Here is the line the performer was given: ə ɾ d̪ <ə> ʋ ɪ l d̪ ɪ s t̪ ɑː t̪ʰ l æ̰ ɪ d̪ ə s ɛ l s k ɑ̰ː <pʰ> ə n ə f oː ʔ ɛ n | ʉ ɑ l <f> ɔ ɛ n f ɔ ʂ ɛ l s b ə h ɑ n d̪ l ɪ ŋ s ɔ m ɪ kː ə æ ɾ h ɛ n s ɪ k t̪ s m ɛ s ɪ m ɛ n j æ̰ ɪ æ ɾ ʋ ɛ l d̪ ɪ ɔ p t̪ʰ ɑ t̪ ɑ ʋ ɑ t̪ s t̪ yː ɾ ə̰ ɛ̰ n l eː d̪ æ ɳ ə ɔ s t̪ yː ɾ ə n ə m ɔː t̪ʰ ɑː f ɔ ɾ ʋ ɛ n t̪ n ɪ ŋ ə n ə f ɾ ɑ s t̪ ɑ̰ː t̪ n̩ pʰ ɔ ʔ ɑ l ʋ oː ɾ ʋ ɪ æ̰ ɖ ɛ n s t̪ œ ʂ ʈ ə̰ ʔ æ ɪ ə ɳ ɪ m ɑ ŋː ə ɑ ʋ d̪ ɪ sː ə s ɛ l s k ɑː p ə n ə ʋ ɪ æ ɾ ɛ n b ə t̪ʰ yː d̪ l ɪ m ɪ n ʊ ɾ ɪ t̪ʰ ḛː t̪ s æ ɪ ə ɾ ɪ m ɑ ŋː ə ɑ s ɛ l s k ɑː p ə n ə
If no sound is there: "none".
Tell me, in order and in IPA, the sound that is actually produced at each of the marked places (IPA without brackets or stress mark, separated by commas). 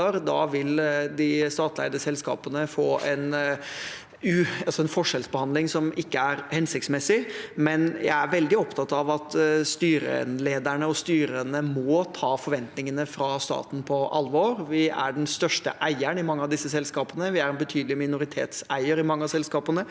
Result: ɑ, p, s